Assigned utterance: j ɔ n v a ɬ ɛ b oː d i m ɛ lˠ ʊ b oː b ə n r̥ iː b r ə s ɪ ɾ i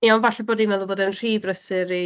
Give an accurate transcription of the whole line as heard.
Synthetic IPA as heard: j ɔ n v a ɬ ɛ b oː d i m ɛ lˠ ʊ b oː d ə n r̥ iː b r ə s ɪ ɾ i